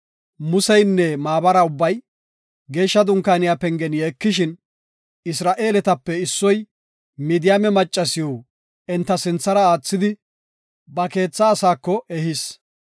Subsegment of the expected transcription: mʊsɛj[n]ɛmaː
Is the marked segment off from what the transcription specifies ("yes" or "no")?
yes